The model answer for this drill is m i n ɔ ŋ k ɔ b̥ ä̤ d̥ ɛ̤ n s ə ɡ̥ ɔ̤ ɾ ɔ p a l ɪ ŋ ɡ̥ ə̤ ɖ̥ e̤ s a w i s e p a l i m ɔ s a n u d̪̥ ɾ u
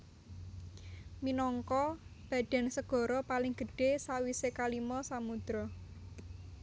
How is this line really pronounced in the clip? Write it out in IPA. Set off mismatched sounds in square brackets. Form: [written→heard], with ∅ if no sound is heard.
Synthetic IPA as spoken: m i n ɔ ŋ k ɔ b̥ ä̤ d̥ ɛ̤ n s ə ɡ̥ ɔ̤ ɾ ɔ p a l ɪ ŋ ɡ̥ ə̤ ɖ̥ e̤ s a w i s e [p→k] a l i m ɔ s a [n→m] u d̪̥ ɾ [u→ɔ]